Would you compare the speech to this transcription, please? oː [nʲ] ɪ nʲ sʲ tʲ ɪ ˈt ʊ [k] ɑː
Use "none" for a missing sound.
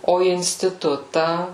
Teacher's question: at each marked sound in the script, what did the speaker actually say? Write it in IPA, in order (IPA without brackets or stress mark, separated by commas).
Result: none, t